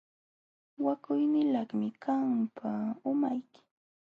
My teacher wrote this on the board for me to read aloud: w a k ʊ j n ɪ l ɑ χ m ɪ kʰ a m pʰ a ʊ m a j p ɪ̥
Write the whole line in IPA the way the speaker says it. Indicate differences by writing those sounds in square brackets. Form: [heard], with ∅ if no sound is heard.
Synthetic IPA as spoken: w a k ʊ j n ɪ l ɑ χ m ɪ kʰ a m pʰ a ʊ m a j [k] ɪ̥